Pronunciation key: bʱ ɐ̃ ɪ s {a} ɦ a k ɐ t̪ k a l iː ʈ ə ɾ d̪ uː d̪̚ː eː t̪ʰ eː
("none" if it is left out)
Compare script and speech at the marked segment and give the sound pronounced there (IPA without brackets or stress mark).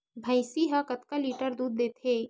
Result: i